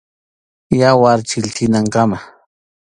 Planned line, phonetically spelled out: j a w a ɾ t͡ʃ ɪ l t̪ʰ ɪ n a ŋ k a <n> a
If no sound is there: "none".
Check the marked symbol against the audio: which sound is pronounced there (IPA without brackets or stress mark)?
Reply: m